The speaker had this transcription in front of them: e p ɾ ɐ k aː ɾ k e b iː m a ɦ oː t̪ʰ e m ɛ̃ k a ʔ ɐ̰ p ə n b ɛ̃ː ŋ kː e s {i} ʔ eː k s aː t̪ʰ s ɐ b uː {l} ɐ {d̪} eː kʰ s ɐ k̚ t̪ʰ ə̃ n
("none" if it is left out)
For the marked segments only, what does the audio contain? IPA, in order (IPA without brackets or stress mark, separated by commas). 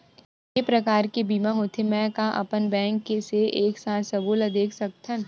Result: e, l, d̪